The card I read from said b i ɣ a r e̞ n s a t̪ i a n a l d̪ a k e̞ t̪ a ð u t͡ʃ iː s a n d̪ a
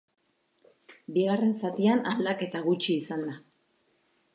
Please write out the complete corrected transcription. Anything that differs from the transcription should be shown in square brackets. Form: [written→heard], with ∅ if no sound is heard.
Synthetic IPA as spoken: b i ɣ a r e̞ n s a t̪ i a n a l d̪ a k e̞ t̪ a [ð→ɣ] u t͡ʃ iː s a n d̪ a